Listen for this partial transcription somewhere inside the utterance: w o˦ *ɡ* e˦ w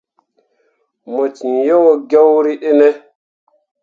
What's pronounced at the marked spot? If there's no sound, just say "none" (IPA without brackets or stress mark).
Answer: ɡ